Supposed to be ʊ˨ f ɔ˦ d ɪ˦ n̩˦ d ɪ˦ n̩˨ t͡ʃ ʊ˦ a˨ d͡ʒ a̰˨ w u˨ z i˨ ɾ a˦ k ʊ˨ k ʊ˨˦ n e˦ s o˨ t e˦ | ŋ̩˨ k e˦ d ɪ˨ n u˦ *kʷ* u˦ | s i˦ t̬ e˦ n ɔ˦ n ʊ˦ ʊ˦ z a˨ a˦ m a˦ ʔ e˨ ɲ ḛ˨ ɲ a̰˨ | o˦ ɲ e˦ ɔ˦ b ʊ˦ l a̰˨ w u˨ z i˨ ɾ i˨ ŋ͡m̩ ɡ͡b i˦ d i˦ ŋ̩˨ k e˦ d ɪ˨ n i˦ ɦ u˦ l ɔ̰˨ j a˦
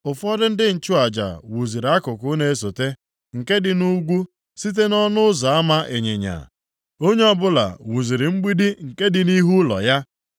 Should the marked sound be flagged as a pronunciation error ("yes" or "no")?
yes